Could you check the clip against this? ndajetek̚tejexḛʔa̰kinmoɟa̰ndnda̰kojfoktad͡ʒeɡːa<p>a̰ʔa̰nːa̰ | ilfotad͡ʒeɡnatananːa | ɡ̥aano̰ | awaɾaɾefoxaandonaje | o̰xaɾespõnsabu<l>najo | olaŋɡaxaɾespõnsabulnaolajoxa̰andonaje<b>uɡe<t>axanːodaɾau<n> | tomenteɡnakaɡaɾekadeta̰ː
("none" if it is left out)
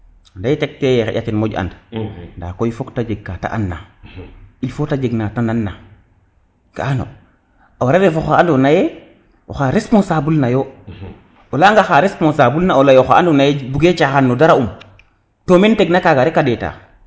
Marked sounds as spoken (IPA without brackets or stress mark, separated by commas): t, l, b, t͡ʃ, m